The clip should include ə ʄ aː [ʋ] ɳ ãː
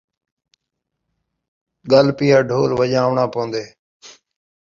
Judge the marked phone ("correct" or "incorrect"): correct